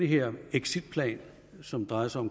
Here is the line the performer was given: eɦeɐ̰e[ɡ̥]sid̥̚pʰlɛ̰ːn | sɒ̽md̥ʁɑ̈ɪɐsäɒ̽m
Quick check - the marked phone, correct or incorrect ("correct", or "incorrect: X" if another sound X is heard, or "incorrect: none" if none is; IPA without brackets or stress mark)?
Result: correct